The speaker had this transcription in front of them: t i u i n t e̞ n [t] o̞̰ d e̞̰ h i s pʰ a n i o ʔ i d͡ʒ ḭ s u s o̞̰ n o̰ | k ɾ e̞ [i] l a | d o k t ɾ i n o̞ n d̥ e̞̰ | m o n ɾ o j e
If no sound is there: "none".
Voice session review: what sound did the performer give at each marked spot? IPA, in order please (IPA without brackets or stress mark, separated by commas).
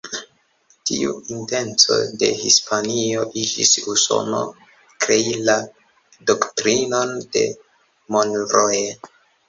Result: t͡s, i